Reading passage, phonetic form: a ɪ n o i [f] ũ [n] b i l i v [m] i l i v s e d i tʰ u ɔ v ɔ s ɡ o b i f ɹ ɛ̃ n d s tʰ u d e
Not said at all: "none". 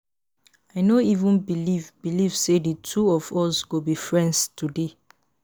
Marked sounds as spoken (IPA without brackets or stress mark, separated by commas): v, n, b